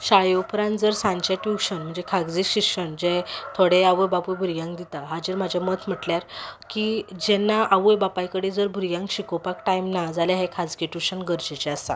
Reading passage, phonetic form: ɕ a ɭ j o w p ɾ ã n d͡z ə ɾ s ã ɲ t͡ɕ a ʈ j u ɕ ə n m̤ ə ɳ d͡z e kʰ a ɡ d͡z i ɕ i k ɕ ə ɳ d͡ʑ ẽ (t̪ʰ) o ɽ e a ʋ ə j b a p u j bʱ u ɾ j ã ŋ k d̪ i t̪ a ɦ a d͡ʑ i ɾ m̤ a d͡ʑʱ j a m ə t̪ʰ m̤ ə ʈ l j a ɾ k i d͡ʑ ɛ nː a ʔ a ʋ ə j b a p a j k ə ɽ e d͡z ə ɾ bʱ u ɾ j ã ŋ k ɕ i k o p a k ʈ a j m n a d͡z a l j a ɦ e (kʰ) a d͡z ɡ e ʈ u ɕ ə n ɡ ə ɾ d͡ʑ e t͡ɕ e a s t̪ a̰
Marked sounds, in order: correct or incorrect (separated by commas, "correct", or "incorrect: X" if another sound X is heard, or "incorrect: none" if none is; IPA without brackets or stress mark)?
correct, correct